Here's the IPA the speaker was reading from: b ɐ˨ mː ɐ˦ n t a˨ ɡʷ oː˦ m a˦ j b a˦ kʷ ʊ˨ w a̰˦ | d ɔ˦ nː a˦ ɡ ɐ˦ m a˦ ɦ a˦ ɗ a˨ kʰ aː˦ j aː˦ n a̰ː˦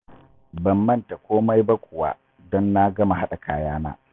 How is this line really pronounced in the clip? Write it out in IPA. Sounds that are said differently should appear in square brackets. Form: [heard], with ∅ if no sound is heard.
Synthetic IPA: b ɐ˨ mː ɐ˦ n t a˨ [kʷ] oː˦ m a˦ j b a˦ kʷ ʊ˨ w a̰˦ | d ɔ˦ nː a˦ ɡ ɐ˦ m [a˨] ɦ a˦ ɗ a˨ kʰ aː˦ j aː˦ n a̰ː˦

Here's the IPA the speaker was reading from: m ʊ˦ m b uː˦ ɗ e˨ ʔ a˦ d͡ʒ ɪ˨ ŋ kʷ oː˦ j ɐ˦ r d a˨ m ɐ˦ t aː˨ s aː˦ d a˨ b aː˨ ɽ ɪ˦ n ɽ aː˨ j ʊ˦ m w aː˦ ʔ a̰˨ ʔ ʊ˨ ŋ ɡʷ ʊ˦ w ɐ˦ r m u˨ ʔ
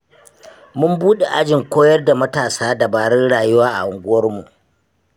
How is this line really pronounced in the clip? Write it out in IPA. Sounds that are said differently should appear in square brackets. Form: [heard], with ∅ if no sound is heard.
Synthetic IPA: m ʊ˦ m b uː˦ ɗ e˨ ʔ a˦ d͡ʒ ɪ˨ ŋ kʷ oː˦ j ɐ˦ r d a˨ m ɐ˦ t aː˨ s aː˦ d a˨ b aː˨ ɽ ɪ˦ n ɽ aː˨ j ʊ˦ [∅] w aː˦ ʔ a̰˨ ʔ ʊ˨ ŋ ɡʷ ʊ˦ w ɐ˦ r m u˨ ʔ

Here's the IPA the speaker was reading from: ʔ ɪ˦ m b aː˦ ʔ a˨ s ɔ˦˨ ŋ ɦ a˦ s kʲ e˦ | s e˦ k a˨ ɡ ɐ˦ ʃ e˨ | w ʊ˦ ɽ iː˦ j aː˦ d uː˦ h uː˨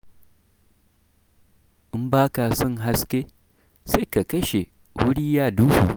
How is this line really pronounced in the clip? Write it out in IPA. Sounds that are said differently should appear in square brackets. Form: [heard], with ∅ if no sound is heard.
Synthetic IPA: ʔ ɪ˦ m b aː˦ [k] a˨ s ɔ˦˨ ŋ ɦ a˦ s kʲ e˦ | s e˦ k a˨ [k] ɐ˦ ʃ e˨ | w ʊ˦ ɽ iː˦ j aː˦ d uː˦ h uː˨

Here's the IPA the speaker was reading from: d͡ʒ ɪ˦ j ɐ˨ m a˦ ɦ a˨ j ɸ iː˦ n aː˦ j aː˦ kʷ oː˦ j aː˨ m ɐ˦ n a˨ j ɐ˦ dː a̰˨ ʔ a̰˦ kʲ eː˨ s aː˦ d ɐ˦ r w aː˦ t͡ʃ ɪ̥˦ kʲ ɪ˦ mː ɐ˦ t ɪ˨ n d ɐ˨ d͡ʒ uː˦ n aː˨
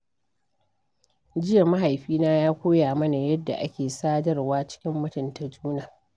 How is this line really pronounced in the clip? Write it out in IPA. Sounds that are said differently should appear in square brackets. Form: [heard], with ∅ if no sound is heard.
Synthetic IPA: d͡ʒ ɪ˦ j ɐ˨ m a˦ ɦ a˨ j ɸ iː˦ n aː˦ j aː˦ kʷ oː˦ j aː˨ m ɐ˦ n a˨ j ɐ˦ dː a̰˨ ʔ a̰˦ kʲ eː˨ s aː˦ d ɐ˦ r w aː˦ t͡ʃ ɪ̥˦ kʲ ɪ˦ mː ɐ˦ t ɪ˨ n [t] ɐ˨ d͡ʒ uː˦ n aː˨

